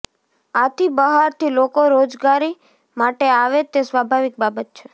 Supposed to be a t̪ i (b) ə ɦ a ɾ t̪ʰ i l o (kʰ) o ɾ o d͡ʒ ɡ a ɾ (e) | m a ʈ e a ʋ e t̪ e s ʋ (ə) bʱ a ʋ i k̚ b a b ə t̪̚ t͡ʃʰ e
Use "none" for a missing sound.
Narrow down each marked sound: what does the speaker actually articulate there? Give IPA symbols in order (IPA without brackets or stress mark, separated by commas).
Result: b, k, i, a